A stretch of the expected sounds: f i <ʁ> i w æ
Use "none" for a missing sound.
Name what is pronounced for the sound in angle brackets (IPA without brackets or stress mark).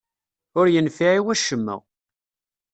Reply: ʕ